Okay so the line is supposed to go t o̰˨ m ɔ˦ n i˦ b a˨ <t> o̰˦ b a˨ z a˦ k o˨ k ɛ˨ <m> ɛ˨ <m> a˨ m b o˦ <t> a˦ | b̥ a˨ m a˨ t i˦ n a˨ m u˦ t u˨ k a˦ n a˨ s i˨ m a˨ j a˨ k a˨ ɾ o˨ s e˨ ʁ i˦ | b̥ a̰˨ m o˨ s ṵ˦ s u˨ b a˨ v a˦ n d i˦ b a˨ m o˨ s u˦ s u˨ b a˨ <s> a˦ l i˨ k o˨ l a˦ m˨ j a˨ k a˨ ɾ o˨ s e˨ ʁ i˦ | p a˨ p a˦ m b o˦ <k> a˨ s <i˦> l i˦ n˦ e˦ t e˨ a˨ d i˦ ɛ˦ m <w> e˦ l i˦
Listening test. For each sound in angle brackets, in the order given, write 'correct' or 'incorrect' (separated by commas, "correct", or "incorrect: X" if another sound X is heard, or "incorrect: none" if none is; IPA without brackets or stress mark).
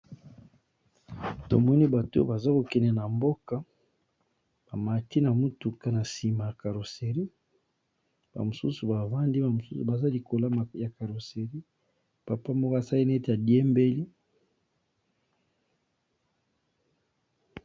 correct, incorrect: n, incorrect: n, incorrect: k, incorrect: z, correct, incorrect: a˦, incorrect: b